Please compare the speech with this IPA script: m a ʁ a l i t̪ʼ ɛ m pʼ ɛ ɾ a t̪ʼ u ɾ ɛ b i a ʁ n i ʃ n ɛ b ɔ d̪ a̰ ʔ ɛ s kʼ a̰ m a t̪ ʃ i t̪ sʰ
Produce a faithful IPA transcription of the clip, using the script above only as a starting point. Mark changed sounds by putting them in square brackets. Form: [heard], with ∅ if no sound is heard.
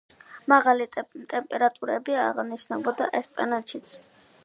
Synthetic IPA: m a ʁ a l i t̪ʼ ɛ m pʼ ɛ ɾ a t̪ʼ u ɾ ɛ b i a ʁ n i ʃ n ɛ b ɔ d̪ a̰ ʔ ɛ s [pʼ] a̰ [n] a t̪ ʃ i t̪ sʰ

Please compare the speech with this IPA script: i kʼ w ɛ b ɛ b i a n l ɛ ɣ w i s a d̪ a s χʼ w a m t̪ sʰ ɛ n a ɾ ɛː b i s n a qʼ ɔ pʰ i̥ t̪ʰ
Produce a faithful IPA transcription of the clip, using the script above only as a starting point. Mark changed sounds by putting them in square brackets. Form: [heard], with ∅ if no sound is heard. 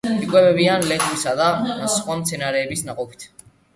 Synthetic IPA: i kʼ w ɛ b ɛ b i a n l ɛ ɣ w i s a d̪ a s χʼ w a m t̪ sʰ ɛ n a ɾ ɛː b i s n a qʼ ɔ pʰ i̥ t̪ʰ

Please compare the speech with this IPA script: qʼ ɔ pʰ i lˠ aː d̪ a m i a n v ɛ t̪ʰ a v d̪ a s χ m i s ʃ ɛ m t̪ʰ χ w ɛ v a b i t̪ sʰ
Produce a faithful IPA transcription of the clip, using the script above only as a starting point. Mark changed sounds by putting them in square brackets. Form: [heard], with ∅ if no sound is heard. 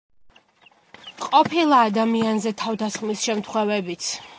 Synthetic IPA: qʼ ɔ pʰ i lˠ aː d̪ a m i a n [z] ɛ t̪ʰ a v d̪ a s χ m i s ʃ ɛ m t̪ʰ χ w ɛ v [ɛ] b i t̪ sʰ

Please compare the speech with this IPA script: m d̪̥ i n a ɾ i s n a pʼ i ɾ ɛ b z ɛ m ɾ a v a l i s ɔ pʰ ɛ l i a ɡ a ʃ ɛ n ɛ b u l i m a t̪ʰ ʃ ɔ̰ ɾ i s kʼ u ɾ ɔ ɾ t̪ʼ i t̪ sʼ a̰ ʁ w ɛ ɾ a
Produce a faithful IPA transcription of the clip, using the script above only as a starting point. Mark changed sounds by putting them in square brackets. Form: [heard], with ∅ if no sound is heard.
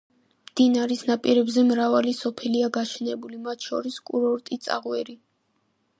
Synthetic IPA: m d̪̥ i n a ɾ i s n a pʼ i ɾ ɛ b z ɛ m ɾ a v a l i s ɔ pʰ ɛ l i a ɡ a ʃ ɛ n ɛ b u l i m a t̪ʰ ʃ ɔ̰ ɾ i s kʼ u ɾ ɔ ɾ t̪ʼ i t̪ sʼ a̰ ʁ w ɛ ɾ [i]

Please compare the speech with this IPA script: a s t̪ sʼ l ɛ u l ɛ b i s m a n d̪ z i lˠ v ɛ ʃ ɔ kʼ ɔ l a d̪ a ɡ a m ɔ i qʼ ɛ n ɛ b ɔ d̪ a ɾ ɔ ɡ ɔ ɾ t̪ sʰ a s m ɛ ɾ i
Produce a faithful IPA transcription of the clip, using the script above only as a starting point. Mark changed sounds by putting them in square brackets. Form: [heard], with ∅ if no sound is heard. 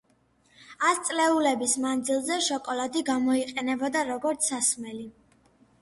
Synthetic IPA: a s t̪ sʼ l ɛ u l ɛ b i s m a n d̪ z i lˠ [z] ɛ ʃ ɔ kʼ ɔ l a d̪ [i] ɡ a m ɔ i qʼ ɛ n ɛ b ɔ d̪ a ɾ ɔ ɡ ɔ ɾ t̪ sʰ a s m ɛ [l] i

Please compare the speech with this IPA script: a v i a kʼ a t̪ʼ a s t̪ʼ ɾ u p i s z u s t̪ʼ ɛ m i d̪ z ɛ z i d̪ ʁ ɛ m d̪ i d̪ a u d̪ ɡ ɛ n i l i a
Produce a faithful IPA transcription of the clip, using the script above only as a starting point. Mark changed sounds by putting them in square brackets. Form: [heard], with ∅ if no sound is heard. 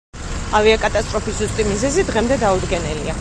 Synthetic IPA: a v i a kʼ a t̪ʼ a s t̪ʼ ɾ [ɔ] p i s z u s t̪ʼ [i] m i [∅] z ɛ z i d̪ ʁ ɛ m d̪ [ɛ] d̪ a u d̪ ɡ ɛ n [ɛ] l i a

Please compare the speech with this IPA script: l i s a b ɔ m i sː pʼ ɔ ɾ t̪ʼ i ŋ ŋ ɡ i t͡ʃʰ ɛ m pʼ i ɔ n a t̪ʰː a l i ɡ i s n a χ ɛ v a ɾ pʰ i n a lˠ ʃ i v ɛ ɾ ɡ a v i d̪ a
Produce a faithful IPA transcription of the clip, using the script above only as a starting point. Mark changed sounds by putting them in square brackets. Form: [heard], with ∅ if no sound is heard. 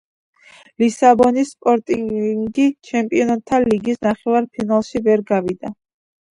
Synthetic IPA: l i s a b ɔ [n] i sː pʼ ɔ ɾ t̪ʼ i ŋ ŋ ɡ i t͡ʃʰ ɛ m pʼ i ɔ n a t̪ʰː a l i ɡ i s n a χ ɛ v a ɾ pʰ i n a lˠ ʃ i v ɛ ɾ ɡ a v i d̪ a

